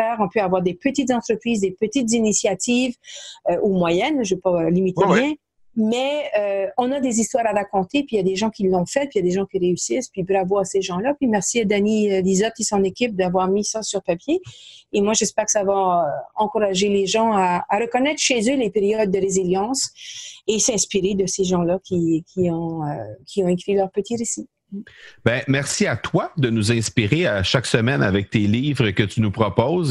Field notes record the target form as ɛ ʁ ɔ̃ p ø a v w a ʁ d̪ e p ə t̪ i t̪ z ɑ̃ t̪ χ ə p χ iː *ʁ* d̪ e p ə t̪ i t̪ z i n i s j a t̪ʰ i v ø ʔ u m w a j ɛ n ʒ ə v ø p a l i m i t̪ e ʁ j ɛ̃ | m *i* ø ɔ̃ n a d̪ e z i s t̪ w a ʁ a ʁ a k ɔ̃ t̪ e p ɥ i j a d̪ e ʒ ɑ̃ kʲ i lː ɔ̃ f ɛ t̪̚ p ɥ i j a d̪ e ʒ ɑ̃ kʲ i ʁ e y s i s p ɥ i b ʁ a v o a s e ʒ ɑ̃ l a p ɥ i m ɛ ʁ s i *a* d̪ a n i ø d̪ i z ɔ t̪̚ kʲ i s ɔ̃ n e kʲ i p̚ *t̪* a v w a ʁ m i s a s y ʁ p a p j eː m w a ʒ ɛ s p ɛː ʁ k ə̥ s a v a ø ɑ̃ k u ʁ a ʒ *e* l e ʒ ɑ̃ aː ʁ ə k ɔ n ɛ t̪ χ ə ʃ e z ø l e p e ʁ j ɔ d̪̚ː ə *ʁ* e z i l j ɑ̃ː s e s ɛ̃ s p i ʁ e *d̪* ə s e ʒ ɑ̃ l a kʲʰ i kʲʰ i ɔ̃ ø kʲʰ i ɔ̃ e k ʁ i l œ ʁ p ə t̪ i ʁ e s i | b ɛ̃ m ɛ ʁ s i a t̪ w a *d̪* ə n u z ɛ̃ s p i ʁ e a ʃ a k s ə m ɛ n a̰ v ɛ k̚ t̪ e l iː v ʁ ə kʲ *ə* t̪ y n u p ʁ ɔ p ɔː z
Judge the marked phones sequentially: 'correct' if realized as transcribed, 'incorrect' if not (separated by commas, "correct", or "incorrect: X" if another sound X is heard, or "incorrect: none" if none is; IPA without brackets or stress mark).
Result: incorrect: z, incorrect: ɛ, correct, incorrect: d̪, correct, correct, correct, correct, correct